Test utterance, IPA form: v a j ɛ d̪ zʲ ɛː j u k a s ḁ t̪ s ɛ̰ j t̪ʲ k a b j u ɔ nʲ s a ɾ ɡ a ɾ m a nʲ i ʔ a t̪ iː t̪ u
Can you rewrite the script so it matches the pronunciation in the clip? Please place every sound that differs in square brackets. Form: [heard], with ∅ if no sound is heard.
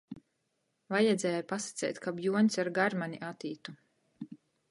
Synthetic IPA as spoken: v a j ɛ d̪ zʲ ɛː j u [p] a s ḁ t̪ s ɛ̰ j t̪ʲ k a b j u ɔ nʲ s a ɾ ɡ a ɾ m a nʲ i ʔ a t̪ iː t̪ u